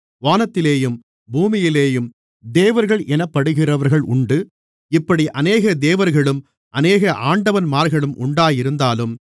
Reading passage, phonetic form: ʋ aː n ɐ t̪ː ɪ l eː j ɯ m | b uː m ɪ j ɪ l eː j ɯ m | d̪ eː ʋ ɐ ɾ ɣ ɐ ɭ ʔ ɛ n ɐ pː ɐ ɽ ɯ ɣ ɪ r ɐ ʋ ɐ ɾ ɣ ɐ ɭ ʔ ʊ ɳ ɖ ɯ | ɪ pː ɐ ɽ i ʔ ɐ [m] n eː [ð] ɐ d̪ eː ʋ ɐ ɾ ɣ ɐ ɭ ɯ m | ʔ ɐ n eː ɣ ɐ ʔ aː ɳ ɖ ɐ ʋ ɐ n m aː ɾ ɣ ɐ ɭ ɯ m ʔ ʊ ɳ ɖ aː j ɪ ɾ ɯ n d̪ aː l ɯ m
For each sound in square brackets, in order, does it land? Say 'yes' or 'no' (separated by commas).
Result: no, no